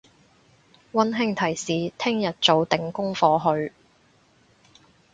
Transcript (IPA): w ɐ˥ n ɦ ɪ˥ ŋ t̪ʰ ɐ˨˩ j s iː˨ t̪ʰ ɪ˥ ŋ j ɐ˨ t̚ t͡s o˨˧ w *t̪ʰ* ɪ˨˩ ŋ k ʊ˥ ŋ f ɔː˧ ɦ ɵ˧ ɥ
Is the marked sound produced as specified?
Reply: no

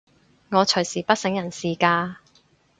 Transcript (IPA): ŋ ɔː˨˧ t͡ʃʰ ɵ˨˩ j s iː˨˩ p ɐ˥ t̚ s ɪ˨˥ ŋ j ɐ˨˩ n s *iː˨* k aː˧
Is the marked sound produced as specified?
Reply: yes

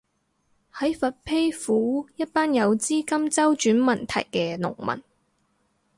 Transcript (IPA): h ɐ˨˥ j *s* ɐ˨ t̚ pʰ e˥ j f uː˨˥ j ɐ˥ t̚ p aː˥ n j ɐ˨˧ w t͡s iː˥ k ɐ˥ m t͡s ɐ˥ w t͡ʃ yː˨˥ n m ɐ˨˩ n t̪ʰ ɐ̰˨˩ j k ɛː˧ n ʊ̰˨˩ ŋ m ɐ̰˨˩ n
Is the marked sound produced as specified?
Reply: no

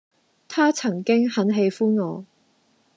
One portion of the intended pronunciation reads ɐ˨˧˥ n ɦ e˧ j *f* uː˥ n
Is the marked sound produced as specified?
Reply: yes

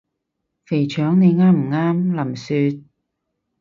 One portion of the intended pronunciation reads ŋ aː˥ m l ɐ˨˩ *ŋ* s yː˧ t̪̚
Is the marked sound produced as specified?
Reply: no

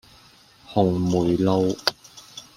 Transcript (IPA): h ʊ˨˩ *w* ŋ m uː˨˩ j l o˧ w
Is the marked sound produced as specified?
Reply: no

